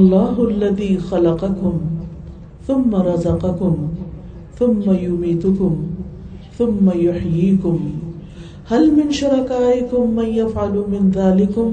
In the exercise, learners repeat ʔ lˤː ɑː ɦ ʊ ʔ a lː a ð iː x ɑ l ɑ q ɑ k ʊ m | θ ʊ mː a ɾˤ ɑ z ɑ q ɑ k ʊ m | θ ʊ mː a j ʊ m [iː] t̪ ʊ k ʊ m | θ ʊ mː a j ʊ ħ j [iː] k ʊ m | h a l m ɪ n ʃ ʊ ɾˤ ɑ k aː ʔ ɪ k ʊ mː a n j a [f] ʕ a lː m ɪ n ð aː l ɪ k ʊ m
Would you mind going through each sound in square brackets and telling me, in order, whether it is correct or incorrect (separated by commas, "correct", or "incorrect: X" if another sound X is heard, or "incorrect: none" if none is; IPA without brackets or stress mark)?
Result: correct, correct, correct